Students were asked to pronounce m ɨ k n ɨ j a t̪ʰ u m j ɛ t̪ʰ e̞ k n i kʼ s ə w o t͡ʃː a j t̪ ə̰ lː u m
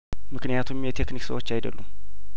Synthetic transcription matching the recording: m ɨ k n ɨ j a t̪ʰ u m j ɛ t̪ʰ e̞ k n i k s ə w o t͡ʃː a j d̪ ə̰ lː u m